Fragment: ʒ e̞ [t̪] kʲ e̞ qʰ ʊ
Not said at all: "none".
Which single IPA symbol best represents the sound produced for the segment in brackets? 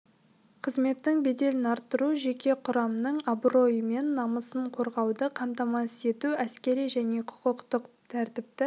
none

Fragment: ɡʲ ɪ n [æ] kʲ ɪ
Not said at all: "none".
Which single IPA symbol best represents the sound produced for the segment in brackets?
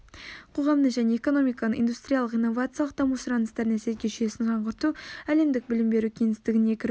e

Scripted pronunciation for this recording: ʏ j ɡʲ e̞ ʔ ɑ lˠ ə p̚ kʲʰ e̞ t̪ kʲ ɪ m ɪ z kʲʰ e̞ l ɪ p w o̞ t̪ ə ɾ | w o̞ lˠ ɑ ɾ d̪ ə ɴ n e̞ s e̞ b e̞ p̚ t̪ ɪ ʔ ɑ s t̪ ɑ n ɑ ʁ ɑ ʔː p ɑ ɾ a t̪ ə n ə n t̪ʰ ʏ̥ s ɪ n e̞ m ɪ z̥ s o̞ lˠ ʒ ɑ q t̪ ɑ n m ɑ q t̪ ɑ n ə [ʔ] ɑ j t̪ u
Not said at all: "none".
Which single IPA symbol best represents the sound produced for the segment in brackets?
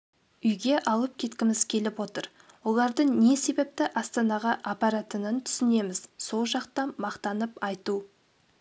p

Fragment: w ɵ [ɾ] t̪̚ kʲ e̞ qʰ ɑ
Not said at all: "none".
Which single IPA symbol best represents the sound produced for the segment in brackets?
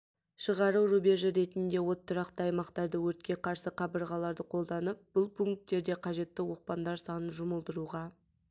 ɾ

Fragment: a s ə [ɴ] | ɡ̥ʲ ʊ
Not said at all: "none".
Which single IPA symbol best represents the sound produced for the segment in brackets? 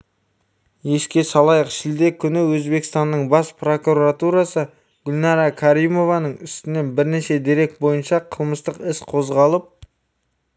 none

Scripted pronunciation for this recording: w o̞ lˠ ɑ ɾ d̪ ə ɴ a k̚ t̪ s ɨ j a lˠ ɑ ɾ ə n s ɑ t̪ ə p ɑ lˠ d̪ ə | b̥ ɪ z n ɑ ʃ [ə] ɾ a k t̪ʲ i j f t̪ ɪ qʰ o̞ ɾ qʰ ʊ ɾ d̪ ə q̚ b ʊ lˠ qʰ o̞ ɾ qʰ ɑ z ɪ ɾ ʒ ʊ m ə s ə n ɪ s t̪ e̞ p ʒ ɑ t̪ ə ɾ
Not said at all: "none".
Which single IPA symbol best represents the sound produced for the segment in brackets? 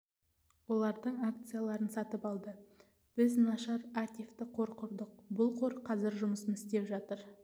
ɑ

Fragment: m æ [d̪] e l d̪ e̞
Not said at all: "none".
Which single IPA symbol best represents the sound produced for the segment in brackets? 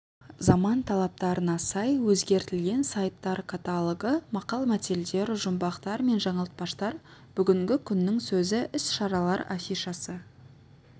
t̪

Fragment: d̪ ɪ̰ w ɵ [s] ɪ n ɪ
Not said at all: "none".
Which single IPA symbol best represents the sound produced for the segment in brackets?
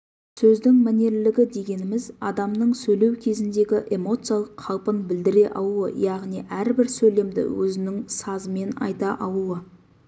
z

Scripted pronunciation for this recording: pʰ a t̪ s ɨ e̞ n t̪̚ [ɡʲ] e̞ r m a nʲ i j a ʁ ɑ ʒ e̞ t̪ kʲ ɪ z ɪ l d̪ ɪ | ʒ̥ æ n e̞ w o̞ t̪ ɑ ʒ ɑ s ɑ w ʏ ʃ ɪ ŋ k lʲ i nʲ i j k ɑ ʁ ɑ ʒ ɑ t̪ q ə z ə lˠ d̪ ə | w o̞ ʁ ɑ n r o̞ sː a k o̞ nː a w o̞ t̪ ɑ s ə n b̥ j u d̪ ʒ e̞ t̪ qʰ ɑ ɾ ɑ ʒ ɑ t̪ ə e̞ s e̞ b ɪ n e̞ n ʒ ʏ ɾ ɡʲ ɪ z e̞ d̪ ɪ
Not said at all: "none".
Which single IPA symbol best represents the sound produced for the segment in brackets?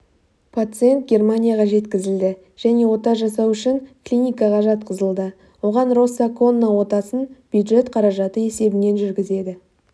ɡʲ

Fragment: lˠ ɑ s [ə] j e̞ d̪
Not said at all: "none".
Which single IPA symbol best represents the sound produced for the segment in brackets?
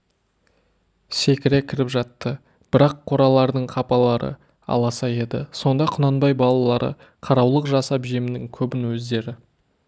ɑ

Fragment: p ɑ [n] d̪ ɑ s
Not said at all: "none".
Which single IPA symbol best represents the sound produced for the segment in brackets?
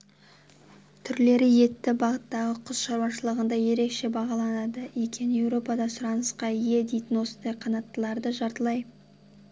none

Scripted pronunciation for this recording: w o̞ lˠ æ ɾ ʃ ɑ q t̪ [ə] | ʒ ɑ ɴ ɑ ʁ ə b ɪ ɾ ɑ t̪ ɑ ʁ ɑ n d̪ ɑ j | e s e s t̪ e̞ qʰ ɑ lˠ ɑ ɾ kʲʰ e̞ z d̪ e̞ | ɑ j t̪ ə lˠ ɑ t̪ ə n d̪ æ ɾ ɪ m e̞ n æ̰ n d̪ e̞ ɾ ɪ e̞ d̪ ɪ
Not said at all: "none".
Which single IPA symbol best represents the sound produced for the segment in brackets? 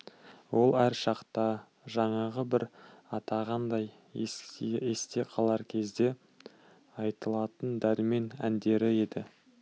ɑ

